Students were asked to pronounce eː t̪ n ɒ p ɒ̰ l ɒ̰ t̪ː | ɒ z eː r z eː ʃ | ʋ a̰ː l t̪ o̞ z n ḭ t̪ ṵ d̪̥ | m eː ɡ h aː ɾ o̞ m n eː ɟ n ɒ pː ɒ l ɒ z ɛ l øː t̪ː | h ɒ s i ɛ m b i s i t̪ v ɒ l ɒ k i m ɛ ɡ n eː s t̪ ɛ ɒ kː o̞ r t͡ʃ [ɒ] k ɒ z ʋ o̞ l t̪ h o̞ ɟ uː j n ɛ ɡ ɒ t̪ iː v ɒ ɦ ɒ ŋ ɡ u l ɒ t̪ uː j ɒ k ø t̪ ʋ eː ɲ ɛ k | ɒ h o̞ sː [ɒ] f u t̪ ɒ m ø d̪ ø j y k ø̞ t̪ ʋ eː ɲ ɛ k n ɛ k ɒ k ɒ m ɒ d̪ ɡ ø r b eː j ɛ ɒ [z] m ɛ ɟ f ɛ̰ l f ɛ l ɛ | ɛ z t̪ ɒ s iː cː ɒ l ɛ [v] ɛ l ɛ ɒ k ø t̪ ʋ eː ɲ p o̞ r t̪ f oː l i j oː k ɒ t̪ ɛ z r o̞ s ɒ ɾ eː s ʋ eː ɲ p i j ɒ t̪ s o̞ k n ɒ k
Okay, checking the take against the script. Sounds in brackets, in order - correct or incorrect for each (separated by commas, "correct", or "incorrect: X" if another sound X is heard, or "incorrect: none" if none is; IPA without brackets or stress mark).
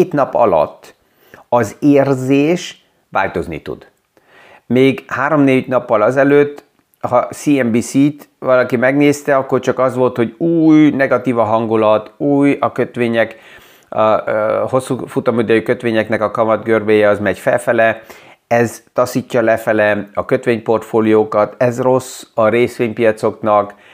correct, incorrect: u, correct, incorrect: f